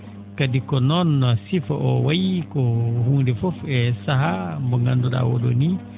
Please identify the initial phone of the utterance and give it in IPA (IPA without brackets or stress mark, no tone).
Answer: k